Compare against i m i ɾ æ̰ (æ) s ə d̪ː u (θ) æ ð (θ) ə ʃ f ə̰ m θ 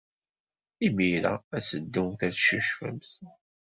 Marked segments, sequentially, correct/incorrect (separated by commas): correct, correct, incorrect